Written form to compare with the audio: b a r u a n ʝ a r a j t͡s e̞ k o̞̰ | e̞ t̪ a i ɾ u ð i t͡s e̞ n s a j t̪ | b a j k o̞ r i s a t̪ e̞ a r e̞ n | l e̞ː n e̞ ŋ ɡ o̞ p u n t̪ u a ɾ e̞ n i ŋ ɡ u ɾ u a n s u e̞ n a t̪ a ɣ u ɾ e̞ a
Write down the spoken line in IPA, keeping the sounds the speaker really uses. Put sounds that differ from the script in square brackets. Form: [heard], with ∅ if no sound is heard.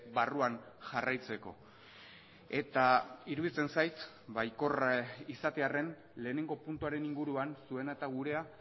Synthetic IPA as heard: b a r u a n ʝ a r a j t͡s e̞ k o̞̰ | e̞ t̪ a i ɾ u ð i t͡s e̞ n s a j t̪ | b a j k o̞ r i s a t̪ e̞ a r e̞ n | l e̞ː n e̞ ŋ ɡ o̞ p u n t̪ u a ɾ e̞ n i ŋ ɡ u ɾ u a n s u e̞ n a t̪ a ɣ u ɾ e̞ a